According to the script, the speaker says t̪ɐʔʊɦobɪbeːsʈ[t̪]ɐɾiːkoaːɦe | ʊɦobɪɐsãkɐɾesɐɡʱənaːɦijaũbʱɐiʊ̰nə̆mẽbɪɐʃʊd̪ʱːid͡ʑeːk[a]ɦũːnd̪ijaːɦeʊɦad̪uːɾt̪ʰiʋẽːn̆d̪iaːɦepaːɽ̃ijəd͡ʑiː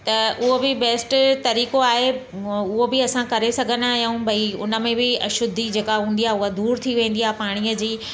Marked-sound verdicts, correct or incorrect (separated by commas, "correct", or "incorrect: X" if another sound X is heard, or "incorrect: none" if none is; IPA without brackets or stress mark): correct, correct